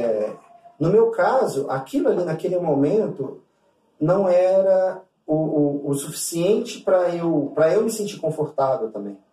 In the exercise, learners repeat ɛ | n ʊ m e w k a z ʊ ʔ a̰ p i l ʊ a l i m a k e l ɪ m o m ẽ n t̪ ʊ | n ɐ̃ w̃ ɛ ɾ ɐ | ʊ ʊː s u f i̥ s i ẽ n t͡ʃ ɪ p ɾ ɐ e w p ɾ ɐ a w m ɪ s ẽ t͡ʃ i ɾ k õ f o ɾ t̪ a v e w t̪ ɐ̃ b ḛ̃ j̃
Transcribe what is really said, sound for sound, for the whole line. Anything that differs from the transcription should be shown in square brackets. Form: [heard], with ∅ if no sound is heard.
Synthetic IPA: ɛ | n ʊ m e w k a z ʊ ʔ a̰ [k] i l ʊ a l i [n] a k e l ɪ m o m ẽ n t̪ ʊ | n ɐ̃ w̃ ɛ ɾ ɐ | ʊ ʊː s u f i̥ s i ẽ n t͡ʃ ɪ p ɾ ɐ e w p ɾ ɐ [e] w m ɪ s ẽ t͡ʃ i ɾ k õ f o ɾ t̪ a v e w t̪ ɐ̃ b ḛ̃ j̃